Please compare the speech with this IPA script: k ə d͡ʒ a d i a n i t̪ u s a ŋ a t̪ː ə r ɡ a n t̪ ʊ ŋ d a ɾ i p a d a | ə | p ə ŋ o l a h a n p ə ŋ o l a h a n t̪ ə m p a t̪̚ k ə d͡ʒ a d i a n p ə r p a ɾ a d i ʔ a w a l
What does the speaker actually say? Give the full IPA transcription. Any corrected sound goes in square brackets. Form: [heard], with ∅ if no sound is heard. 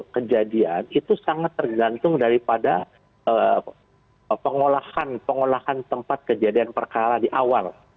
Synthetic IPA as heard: k ə d͡ʒ a d i a n i t̪ u s a ŋ a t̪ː ə r ɡ a n t̪ ʊ ŋ d a ɾ i p a d a | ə | p ə ŋ o l a h a n p ə ŋ o l a h a n t̪ ə m p a t̪̚ k ə d͡ʒ a d i a n p ə r [k] a ɾ a d i ʔ a w a l